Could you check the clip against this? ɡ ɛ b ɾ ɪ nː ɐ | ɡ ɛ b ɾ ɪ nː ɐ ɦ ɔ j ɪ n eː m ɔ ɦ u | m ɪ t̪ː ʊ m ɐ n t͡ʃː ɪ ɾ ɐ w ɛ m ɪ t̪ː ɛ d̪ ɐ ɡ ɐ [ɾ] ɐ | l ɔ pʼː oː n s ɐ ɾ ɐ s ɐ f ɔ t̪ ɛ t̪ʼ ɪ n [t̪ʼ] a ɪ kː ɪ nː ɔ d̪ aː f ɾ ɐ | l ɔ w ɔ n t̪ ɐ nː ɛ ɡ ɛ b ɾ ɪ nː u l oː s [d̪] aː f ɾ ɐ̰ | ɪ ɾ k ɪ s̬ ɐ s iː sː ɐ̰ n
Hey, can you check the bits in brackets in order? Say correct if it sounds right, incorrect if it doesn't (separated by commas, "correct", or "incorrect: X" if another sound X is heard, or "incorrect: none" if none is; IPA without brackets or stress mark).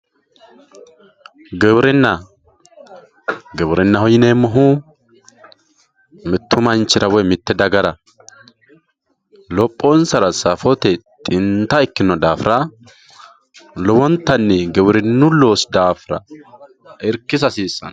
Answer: correct, incorrect: t̪, correct